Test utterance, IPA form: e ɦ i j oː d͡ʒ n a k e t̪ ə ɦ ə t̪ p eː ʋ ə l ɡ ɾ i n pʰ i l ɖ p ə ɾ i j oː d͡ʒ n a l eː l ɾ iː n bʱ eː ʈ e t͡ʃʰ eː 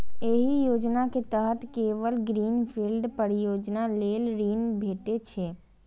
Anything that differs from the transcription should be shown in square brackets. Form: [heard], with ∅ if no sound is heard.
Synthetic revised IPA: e ɦ i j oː d͡ʒ n a k e t̪ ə ɦ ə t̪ [k] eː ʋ ə l ɡ ɾ [iː] n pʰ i l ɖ p ə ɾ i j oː d͡ʒ n a l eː l ɾ iː n bʱ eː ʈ e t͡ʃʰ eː

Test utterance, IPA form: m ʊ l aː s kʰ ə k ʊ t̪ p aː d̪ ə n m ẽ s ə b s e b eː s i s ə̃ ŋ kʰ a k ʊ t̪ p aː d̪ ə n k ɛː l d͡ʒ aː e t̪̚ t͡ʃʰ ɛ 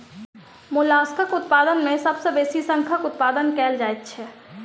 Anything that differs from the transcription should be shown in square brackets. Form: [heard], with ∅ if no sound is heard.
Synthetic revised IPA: m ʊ l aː s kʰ ə k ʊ t̪ p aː d̪ ə n m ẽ s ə b s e b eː s i s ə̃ ŋ kʰ [ə] k ʊ t̪ p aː d̪ ə n k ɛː l d͡ʒ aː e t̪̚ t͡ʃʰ ɛ

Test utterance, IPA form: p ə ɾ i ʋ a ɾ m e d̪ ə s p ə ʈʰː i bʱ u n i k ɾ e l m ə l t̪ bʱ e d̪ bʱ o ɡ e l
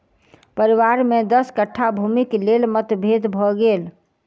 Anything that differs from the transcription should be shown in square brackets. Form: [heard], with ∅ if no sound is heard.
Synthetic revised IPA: p ə ɾ i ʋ a ɾ m e d̪ ə s [k] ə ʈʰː [a] bʱ u [m] i k [l] e l m ə [∅] t̪ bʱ e d̪ bʱ [ɔ] ɡ e l

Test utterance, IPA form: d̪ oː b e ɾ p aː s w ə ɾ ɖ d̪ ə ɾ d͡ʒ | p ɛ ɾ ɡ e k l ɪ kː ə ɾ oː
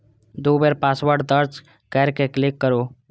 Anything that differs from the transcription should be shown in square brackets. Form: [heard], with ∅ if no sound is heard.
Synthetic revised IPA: d̪ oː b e ɾ p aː s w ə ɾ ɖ d̪ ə ɾ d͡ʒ | [k] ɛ ɾ [k] e k l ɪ kː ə ɾ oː

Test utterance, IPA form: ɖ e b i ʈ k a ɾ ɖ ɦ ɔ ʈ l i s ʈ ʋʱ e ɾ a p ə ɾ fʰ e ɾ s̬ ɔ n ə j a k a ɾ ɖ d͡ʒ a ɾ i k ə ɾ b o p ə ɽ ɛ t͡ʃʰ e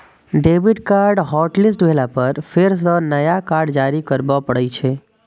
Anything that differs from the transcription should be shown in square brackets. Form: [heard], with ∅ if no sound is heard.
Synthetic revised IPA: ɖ e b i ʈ k a ɾ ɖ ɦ ɔ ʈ l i s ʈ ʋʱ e [l] a p ə ɾ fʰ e ɾ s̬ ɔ n ə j a k a ɾ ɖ d͡ʒ a ɾ i k ə ɾ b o p ə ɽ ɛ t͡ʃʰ e

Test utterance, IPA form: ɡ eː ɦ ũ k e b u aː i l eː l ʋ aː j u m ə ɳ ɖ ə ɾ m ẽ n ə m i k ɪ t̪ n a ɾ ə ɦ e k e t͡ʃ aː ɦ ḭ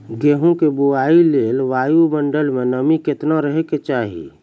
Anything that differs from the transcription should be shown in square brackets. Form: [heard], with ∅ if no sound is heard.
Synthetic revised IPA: ɡ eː ɦ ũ k e b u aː i l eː l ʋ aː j u m ə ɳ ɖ ə [l] m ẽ n ə m i k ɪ t̪ n a ɾ ə ɦ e k e t͡ʃ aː ɦ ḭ

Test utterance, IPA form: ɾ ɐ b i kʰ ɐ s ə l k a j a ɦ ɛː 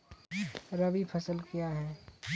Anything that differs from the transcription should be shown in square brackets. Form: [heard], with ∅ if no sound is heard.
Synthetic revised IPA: ɾ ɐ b i [pʰ] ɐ s ə l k [i] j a ɦ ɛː

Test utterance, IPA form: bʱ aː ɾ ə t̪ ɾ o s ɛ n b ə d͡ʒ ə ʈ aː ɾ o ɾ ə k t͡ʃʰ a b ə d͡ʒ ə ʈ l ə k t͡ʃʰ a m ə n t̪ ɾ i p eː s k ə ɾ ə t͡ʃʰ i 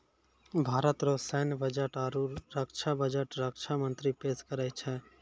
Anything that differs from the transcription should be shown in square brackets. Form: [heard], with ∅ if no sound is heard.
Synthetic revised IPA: bʱ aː ɾ ə t̪ ɾ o s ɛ n b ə d͡ʒ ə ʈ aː ɾ [u] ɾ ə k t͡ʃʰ a b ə d͡ʒ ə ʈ [ɾ] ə k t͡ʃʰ a m ə n t̪ ɾ i p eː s k ə ɾ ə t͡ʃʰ [ɛ]

